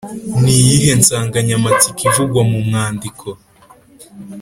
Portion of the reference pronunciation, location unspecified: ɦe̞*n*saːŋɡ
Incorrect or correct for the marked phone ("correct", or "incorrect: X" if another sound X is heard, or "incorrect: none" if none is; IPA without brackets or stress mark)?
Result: correct